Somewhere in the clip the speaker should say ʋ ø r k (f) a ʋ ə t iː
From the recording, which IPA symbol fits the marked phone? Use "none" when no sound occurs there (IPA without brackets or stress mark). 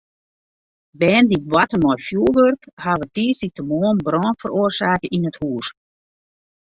h